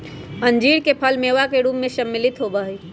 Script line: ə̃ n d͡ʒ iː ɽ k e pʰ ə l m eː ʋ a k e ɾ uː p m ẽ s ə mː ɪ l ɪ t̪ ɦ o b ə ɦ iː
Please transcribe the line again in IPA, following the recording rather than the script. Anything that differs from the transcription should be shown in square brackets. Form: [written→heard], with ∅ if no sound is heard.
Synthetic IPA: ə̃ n d͡ʒ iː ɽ k e pʰ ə l m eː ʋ a k e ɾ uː p m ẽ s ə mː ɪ l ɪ t̪ ɦ o b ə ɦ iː